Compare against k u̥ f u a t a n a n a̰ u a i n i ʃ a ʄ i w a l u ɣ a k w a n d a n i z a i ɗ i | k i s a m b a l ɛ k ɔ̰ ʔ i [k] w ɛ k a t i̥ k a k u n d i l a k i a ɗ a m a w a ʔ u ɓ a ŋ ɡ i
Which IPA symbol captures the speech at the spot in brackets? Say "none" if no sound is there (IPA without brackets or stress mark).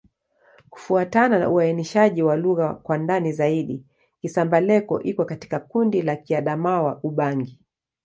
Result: k